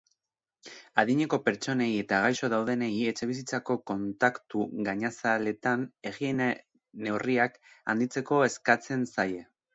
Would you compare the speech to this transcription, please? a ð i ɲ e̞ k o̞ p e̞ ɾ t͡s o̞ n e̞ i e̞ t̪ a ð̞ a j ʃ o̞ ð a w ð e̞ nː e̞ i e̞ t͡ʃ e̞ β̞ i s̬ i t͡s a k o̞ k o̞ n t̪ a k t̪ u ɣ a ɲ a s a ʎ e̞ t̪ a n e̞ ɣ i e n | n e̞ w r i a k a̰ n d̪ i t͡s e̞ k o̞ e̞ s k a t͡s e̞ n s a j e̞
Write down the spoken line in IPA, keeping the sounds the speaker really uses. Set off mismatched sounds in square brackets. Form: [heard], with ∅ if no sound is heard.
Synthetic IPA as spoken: a ð i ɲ e̞ k o̞ p e̞ ɾ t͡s o̞ n e̞ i e̞ t̪ a [ɣ̞] a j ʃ o̞ ð a w ð e̞ [n] e̞ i e̞ t͡ʃ e̞ β̞ i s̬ i t͡s a k o̞ k o̞ n t̪ a k t̪ u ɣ a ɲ a s a [l] e̞ t̪ a n e̞ ɣ i e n | n e̞ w r i a k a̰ n d̪ i t͡s e̞ k o̞ e̞ s k a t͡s e̞ n s a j e̞